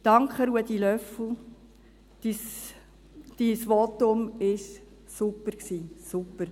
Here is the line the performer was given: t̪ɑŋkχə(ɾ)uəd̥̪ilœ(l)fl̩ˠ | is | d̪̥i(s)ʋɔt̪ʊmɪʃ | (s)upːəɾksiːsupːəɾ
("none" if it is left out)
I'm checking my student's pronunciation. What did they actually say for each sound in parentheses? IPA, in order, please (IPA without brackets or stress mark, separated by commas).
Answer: ɾ, none, s, s